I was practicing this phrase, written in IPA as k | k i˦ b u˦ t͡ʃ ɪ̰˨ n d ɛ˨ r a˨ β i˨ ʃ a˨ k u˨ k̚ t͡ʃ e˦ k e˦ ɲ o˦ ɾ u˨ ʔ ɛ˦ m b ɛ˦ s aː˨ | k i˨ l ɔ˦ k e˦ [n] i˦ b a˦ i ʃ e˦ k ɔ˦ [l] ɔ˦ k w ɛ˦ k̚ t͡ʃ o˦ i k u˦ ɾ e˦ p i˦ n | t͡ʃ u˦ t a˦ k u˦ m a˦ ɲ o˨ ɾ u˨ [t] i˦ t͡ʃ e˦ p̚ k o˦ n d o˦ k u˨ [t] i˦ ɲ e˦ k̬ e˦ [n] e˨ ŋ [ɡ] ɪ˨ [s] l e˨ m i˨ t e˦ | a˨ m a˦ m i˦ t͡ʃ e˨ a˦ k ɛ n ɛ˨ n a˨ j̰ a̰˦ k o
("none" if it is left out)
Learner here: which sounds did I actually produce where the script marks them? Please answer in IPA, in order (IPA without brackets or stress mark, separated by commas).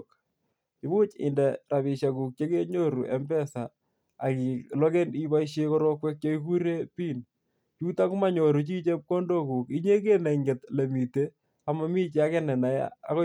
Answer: n, ɾ, t͡ʃ, k, n, ɡ, t